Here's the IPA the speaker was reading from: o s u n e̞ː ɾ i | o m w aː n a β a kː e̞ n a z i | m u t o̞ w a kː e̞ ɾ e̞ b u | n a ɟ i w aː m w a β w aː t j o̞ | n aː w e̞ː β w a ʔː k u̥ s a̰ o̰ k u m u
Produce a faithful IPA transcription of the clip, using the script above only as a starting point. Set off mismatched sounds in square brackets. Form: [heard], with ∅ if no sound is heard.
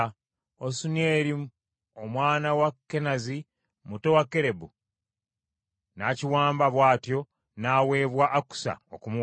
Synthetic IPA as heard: o s u n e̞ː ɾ i | o m w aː n a [w] a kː e̞ n a z i | m u t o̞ w a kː e̞ ɾ e̞ b u | n a [c] i w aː m [b] a β w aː t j o̞ | n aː w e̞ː β w a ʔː k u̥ s a̰ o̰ k u m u